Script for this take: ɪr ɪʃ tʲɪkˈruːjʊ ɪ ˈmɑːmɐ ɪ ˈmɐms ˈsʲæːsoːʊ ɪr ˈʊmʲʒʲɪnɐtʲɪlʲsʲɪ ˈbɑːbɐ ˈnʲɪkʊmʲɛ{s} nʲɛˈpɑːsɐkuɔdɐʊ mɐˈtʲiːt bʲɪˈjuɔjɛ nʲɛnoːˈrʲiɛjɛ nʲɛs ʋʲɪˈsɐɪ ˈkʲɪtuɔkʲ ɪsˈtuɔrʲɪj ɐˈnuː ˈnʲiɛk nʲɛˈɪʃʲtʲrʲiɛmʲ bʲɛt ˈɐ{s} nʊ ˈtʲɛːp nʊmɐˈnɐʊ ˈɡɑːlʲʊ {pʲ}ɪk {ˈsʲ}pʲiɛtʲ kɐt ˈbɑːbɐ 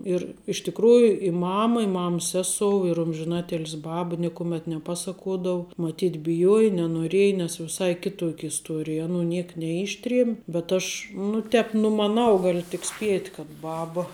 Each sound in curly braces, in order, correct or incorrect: incorrect, incorrect, incorrect, correct

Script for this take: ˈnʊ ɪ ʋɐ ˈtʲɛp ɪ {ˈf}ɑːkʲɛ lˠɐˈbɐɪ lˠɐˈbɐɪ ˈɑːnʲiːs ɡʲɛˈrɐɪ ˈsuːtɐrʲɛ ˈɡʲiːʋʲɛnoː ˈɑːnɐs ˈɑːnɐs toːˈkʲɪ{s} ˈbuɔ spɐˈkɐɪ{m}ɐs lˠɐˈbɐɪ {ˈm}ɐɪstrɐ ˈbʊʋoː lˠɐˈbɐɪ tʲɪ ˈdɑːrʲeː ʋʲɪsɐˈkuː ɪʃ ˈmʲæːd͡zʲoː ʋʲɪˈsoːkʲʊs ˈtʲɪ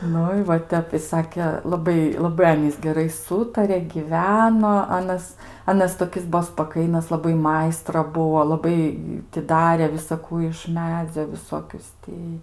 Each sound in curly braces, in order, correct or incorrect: incorrect, correct, incorrect, correct

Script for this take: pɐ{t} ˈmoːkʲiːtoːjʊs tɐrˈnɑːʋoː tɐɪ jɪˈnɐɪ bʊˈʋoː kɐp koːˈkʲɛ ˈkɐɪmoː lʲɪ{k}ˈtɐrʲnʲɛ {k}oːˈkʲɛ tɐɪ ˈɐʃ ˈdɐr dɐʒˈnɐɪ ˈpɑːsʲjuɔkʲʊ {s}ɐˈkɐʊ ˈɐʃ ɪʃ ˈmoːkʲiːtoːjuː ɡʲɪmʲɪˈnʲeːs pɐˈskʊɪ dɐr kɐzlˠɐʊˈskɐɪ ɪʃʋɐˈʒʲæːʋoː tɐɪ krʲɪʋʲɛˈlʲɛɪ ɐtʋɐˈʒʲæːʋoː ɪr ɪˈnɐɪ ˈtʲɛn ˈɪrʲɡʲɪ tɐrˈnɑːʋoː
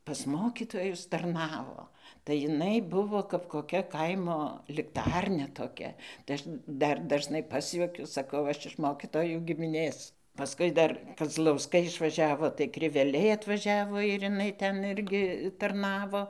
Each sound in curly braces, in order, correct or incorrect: incorrect, correct, incorrect, correct

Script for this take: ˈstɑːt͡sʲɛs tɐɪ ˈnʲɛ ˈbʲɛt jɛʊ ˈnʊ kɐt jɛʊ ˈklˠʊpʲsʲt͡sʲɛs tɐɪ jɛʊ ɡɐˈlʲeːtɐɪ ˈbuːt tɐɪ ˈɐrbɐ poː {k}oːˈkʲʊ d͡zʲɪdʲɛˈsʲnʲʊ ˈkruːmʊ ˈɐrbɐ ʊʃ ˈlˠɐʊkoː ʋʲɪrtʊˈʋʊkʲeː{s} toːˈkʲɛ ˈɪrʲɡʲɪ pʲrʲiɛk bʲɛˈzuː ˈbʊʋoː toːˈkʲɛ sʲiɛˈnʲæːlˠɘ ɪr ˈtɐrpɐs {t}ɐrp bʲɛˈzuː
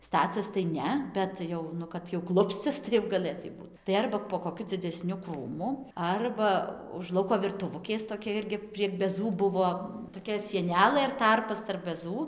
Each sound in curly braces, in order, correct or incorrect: correct, correct, correct

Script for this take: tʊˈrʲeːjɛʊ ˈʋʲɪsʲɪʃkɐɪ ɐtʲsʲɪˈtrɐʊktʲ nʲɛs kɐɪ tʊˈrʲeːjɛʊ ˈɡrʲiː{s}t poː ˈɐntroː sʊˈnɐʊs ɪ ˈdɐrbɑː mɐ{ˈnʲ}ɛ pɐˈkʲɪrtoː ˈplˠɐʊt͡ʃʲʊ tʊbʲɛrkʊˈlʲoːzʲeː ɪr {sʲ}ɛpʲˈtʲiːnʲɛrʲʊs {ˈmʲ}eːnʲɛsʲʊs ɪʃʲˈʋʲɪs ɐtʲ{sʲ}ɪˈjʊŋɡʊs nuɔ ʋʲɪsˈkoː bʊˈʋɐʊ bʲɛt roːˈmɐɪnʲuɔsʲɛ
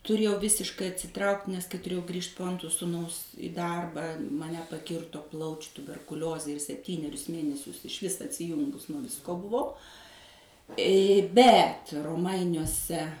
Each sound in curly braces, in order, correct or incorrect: incorrect, correct, correct, correct, correct

